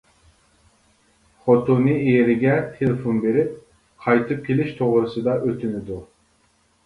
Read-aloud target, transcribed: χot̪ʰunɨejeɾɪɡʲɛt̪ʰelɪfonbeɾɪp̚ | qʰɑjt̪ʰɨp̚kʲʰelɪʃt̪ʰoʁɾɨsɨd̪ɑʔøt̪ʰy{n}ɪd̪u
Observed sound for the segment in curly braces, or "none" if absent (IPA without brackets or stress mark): n